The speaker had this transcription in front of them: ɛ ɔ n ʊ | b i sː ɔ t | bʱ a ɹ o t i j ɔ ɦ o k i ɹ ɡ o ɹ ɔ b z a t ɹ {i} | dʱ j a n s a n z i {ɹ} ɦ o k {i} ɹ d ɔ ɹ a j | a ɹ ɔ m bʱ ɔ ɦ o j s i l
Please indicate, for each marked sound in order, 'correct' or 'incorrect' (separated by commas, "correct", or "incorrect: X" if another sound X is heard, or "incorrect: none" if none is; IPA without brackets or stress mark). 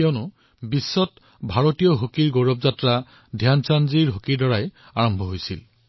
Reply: incorrect: a, correct, correct